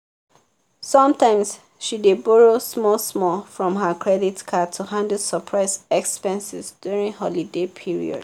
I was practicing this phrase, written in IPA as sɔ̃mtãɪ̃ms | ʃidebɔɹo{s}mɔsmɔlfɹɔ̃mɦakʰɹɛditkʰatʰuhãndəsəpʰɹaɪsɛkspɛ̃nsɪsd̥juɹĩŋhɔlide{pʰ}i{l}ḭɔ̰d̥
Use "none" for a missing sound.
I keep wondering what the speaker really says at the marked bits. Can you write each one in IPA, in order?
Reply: s, pʰ, ɹ

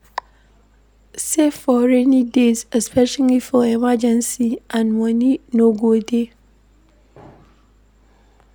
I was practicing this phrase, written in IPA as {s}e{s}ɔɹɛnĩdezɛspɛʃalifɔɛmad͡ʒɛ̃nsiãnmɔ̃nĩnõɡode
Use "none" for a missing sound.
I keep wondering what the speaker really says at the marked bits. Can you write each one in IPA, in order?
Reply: s, f

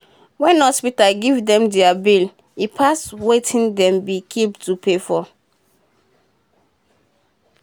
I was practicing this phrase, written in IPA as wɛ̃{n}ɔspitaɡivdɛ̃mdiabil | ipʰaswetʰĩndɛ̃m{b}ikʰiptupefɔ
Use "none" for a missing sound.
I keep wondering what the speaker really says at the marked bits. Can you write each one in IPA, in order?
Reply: n, b

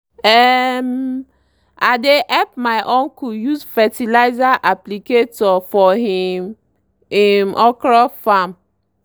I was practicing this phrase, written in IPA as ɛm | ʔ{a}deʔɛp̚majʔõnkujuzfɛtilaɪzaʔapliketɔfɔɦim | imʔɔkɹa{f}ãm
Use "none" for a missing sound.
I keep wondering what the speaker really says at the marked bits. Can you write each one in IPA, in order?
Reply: a, f

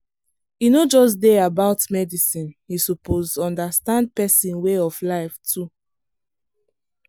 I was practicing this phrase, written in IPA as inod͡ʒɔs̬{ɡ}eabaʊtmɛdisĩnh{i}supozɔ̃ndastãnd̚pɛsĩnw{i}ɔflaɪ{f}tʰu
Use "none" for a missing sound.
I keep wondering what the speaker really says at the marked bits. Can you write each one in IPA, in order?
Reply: d, i, e, f

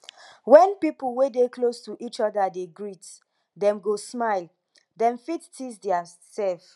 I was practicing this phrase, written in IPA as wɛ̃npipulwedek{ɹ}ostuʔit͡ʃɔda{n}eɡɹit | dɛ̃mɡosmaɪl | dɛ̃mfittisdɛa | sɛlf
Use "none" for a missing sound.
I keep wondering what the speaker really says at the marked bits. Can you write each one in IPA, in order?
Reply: l, d

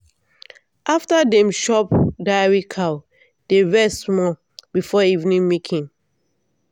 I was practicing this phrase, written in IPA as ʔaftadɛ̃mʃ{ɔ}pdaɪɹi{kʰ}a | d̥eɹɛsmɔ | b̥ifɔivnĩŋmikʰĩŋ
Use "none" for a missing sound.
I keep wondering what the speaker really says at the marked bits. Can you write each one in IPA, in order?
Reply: ɔ, kʰ

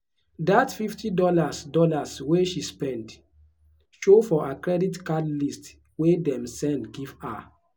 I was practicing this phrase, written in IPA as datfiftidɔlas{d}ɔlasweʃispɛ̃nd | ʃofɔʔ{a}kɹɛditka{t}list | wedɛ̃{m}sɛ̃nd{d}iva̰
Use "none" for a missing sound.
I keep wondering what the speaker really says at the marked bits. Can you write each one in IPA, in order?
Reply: d, a, d, m, ɡ

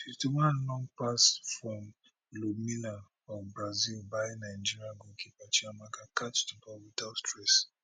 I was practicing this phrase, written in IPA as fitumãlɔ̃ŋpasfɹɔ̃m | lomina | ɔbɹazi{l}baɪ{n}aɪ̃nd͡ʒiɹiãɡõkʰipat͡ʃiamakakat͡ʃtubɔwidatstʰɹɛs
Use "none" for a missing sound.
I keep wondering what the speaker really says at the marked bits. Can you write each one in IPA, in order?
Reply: l, n

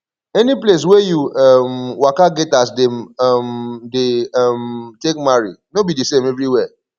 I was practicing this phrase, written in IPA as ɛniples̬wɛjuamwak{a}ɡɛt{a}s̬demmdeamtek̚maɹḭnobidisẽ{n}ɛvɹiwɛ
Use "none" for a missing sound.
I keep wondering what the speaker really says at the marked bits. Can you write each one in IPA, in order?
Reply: a, a, m

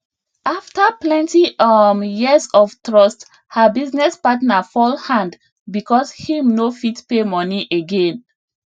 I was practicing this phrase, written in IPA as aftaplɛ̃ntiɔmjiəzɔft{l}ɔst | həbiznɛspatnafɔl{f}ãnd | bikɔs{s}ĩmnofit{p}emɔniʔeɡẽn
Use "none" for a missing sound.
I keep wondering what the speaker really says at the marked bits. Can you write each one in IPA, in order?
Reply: ɹ, h, h, p

